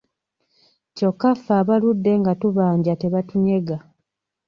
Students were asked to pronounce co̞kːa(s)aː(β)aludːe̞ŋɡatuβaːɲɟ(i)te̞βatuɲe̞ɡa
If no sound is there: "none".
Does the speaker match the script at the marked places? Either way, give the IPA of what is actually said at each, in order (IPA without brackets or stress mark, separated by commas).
f, β, a